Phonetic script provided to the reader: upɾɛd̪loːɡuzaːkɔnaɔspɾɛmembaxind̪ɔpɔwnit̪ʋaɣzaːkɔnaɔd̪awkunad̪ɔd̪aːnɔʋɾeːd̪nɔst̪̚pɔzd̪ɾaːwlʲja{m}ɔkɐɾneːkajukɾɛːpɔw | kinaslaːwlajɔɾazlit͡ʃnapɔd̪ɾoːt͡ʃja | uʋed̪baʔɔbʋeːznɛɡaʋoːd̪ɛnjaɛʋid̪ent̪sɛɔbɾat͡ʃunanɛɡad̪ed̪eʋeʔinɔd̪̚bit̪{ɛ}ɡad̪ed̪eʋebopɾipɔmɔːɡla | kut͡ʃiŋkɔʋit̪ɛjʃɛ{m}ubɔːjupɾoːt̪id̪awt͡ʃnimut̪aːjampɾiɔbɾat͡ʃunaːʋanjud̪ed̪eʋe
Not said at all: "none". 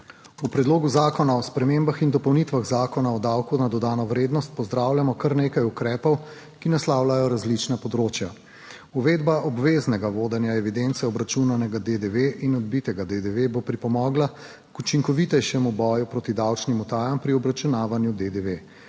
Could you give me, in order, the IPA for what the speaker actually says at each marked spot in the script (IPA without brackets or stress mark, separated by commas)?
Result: m, ɛ, m